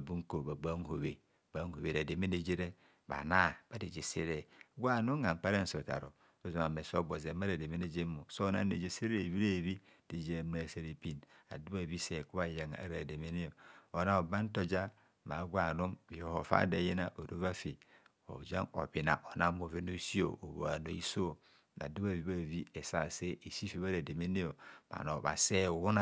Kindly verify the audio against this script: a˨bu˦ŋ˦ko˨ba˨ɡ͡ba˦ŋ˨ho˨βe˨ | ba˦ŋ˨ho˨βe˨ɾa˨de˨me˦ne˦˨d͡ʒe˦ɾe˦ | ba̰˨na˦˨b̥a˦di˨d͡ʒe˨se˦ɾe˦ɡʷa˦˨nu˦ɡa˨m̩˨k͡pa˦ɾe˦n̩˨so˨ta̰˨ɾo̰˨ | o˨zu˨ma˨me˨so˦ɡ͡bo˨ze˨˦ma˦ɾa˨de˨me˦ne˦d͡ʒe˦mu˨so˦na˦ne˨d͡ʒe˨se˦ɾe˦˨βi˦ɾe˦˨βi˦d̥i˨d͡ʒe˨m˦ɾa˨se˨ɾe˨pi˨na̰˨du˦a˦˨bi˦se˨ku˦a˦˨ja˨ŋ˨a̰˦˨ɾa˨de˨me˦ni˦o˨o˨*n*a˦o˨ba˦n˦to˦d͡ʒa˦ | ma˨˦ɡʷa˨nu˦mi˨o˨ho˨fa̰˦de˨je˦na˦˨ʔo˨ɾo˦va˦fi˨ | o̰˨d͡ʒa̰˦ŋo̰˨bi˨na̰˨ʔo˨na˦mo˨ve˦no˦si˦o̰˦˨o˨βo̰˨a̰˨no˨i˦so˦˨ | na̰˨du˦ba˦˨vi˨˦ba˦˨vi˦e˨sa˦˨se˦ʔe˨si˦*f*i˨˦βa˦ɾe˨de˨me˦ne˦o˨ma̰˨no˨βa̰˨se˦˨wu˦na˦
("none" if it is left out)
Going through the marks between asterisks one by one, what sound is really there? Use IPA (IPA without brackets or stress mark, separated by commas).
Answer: n, f